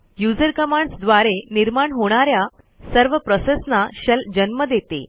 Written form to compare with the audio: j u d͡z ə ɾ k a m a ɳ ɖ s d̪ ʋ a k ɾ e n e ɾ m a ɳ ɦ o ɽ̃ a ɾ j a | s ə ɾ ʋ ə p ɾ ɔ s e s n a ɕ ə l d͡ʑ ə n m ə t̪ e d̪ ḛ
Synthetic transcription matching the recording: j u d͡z ə ɾ k ə m a ɳ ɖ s d̪ ʋ a ɾ e n i ɾ m a ɳ ɦ o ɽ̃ a ɾ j a | s ə ɾ ʋ ə p ɾ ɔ s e s n a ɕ ə l d͡ʑ ə n m ə d̪ e t̪ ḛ